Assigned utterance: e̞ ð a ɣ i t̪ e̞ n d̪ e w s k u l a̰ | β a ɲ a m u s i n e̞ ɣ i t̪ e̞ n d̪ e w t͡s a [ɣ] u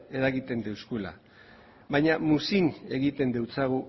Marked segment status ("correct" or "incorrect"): correct